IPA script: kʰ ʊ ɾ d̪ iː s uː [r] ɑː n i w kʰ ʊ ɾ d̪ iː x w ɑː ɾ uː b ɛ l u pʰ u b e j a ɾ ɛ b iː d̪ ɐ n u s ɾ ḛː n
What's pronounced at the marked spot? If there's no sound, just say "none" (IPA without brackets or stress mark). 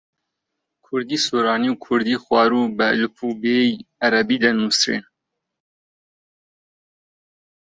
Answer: ɾ